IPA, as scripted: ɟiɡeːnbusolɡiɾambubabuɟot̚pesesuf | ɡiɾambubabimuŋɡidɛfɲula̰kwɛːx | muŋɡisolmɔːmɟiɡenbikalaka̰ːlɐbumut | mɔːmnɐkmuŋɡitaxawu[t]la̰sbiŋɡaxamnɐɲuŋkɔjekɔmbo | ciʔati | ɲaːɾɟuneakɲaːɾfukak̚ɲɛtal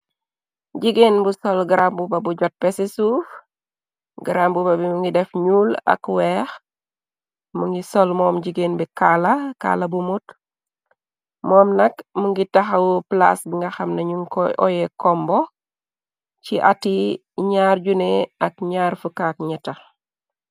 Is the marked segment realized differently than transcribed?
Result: yes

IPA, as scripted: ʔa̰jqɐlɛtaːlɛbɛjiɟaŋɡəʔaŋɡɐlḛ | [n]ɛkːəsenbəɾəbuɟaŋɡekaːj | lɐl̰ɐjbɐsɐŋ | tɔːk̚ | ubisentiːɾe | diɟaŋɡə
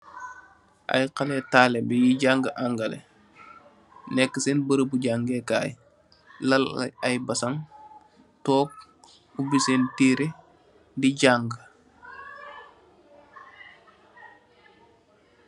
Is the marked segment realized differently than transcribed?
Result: no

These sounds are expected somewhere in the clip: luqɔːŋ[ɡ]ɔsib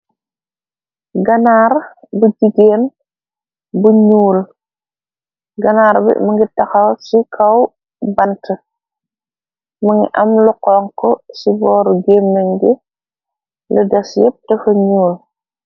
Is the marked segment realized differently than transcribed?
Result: yes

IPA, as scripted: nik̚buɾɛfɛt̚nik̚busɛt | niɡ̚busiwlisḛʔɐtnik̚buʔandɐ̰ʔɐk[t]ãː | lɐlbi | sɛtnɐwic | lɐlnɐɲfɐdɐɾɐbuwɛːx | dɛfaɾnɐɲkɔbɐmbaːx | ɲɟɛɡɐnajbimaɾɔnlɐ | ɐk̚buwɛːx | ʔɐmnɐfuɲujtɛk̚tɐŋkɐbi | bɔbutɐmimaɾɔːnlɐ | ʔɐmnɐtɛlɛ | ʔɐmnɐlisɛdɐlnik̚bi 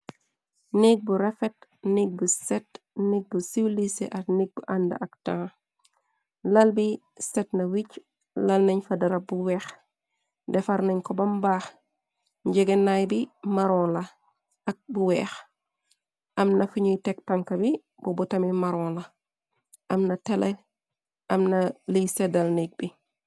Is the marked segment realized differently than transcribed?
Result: no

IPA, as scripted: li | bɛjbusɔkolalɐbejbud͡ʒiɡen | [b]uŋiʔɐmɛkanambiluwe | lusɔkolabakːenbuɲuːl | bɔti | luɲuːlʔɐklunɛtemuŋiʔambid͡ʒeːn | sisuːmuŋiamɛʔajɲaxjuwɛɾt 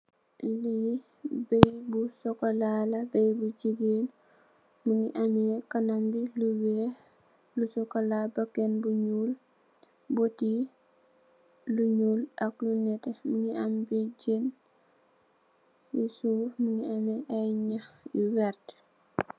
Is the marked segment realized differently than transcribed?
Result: yes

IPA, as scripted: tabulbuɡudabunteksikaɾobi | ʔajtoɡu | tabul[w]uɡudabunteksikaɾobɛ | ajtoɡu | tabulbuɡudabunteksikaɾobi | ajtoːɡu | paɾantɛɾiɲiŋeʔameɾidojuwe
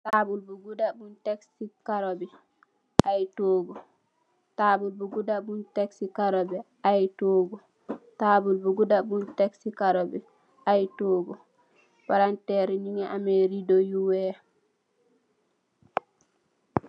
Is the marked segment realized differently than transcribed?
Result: yes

